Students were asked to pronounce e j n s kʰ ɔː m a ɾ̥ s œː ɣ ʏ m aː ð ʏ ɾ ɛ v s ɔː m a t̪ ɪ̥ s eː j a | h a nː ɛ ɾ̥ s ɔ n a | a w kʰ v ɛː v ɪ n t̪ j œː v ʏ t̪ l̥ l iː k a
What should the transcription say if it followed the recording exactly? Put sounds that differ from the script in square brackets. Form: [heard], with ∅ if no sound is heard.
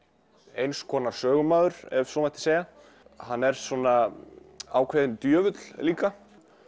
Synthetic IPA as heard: e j n s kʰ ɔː [n] a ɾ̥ s œː ɣ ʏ m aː ð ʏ ɾ ɛ v s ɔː m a t̪ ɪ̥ s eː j a | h a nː ɛ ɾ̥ s ɔ n a | a w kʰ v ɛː [ð] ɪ n t̪ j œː v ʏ t̪ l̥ l iː k a

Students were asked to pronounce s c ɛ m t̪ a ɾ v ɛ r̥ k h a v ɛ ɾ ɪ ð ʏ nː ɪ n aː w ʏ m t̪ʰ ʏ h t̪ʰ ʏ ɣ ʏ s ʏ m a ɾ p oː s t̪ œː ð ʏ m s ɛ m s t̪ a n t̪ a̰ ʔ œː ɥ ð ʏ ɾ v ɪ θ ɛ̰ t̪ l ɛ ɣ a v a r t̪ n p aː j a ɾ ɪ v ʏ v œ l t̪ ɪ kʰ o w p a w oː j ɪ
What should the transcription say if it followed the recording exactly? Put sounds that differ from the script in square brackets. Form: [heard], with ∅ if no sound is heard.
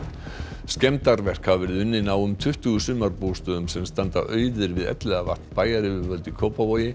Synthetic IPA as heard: s c ɛ m t̪ a ɾ v ɛ r̥ k h a v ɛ ɾ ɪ ð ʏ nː ɪ n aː w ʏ m t̪ʰ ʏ h [t̪] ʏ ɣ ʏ s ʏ m a ɾ p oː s t̪ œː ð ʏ m s ɛ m s t̪ a n t̪ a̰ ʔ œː ɥ ð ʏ ɾ v ɪ [ð] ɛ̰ t̪ l ɛ ɣ a v a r t̪ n p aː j a ɾ ɪ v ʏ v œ l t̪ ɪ kʰ o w p a [v] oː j ɪ

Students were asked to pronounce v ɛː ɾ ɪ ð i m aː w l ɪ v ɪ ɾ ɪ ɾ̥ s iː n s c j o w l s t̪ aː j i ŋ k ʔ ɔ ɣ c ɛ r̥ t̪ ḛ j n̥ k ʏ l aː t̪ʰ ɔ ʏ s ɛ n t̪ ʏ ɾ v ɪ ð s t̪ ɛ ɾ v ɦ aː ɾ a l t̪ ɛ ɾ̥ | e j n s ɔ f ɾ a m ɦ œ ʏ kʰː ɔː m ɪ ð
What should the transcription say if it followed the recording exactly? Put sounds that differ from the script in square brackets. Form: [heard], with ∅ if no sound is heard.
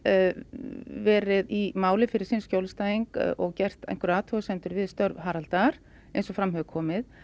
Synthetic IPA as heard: v ɛː ɾ ɪ ð i m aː w l ɪ [f] ɪ ɾ ɪ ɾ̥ s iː n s c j o w l s t̪ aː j i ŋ k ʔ ɔ ɣ c ɛ r̥ t̪ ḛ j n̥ k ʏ [ɾ] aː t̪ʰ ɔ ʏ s ɛ n t̪ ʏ ɾ v ɪ ð s t̪ [œ] ɾ v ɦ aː ɾ a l t̪ [a] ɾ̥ | e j n s ɔ f ɾ a m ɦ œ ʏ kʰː ɔː m ɪ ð

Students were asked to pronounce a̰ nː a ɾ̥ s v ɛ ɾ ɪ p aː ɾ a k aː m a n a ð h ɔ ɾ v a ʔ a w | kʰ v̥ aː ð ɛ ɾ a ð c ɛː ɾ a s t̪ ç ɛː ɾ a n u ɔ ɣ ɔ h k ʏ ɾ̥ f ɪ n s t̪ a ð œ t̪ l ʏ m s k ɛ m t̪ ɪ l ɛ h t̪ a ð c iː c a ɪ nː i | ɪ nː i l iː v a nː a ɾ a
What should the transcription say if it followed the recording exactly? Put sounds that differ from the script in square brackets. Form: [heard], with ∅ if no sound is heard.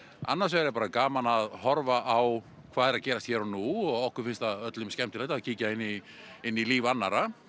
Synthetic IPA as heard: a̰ nː a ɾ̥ s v ɛ ɾ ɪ p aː ɾ a k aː m a n a ð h ɔ ɾ v a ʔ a w | kʰ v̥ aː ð ɛ ɾ a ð c ɛː ɾ a s t̪ ç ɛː ɾ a n u ɔ ɣ ɔ h k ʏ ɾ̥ f ɪ n s t̪ a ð œ t̪ l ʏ m s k ɛ m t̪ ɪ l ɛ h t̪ a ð c iː c a ɪ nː i | ɪ nː i l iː v a nː a ɾ a

